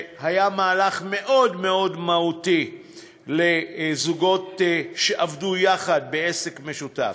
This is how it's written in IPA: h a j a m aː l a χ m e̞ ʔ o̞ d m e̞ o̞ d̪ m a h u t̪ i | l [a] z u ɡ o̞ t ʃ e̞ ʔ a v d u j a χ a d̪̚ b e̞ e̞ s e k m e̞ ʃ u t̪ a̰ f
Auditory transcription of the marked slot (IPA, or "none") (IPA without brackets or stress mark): e